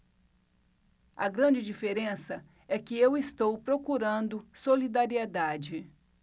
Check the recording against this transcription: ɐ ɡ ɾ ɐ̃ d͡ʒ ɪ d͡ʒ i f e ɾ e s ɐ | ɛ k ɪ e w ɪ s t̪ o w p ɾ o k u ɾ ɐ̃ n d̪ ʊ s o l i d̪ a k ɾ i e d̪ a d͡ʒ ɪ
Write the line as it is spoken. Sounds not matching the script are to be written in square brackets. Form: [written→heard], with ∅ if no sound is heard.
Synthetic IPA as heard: ɐ ɡ ɾ ɐ̃ d͡ʒ ɪ d͡ʒ i f e ɾ [e→ẽ] s ɐ | ɛ k ɪ e w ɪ s t̪ o w p ɾ o k u ɾ ɐ̃ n d̪ ʊ s o l i d̪ a [k→∅] ɾ i e d̪ a d͡ʒ ɪ